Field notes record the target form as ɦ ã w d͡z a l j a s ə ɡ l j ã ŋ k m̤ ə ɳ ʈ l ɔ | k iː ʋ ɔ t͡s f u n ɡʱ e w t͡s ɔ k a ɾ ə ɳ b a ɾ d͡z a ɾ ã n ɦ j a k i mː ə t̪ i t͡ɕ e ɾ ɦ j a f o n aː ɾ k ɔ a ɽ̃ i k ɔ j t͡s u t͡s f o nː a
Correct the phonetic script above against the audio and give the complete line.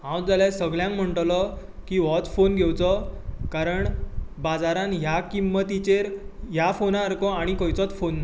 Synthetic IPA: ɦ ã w d͡z a l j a s ə ɡ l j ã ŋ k m̤ ə ɳ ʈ l ɔ | k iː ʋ ɔ t͡s f o n ɡʱ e w t͡s ɔ k a ɾ ə ɳ b a d͡z a ɾ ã n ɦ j a k i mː ə t̪ i t͡ɕ e ɾ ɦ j a f o n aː ɾ k ɔ a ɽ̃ i k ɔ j t͡s ɔ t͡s f o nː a

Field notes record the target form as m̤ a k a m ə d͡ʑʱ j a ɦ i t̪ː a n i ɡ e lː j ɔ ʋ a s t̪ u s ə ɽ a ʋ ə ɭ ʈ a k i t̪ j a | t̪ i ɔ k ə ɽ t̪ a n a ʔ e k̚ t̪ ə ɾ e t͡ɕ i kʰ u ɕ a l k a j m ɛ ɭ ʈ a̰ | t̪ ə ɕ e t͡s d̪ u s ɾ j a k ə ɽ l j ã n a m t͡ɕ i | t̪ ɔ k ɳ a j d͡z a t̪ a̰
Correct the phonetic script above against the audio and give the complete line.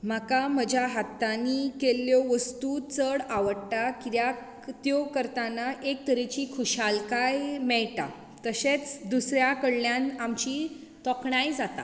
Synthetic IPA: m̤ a k a m ə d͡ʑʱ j a ɦ a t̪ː a n i k e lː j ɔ ʋ ə s t̪ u t͡s ə ɽ a ʋ ə ɽ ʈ a k i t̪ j a | t̪ j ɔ k ə ɾ t̪ a n a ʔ e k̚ t̪ ə ɾ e t͡ɕ i kʰ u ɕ a l k a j m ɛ ɭ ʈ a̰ | t̪ ə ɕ e t͡s d̪ u s ɾ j a k ə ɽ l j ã n a m t͡ɕ i | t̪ ɔ k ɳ a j d͡z a t̪ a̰

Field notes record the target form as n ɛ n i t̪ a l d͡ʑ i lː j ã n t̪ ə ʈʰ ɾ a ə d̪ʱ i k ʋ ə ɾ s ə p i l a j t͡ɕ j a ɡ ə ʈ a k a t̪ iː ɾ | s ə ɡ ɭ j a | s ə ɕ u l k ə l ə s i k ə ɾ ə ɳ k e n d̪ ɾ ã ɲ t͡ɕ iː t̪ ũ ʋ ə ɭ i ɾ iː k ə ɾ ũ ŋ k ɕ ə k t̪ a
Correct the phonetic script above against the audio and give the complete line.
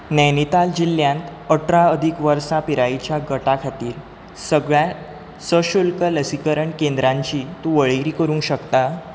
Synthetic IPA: n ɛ n i t̪ a l d͡ʑ i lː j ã n t̪ ə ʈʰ ɾ a ə d̪ʱ i k ʋ ə ɾ s a p i ɾ a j t͡ɕ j a ɡ ə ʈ a kʰ a t̪ iː ɾ | s ə ɡ ɭ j a | s ə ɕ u l k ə l ə s i k ə ɾ ə ɳ k e n d̪ ɾ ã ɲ t͡ɕ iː t̪ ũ ʋ ə ɭ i ɾ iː k ə ɾ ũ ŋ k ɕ ə k t̪ a

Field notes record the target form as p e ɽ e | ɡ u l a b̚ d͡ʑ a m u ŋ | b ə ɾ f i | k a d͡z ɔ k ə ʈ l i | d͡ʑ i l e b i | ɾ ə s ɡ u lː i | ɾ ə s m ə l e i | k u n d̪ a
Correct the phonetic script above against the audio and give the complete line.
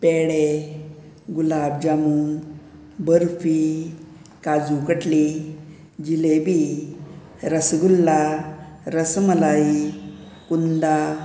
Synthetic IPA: p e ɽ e | ɡ u l a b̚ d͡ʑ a m u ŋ | b ə ɾ f i | k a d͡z u k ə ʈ l i | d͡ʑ i l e b i | ɾ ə s ɡ u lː a | ɾ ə s m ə l a i | k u n d̪ a

